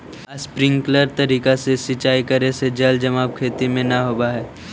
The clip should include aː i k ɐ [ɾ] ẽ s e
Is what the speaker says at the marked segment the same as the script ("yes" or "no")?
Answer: yes